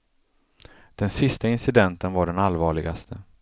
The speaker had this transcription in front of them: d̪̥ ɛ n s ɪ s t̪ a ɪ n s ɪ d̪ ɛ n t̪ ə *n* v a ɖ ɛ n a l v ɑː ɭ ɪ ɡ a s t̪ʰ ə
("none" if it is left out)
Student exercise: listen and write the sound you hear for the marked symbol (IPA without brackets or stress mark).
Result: n